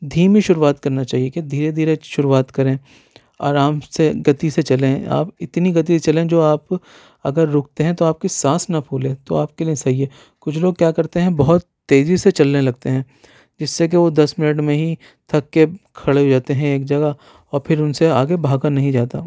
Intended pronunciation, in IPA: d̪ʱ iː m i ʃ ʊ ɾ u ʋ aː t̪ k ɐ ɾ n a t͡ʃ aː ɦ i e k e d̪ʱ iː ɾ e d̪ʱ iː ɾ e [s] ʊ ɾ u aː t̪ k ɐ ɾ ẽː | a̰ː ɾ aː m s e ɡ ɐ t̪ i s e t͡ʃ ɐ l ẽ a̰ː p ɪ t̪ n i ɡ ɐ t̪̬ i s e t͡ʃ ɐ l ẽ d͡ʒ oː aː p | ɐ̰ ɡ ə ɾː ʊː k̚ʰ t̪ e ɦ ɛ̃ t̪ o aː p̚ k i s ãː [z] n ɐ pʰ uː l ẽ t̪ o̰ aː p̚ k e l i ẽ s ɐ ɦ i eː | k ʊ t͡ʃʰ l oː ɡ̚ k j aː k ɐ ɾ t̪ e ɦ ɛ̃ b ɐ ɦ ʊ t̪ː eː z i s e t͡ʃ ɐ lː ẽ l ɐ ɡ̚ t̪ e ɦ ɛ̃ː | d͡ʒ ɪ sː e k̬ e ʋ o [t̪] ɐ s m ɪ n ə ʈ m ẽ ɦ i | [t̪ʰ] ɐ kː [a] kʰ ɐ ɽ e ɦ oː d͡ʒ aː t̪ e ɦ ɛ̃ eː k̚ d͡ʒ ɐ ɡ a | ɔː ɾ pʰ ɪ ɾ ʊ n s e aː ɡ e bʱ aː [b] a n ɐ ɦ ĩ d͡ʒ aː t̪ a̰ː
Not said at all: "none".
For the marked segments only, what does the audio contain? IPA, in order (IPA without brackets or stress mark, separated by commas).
ʃ, s, d̪, t̪ʰ, e, ɡ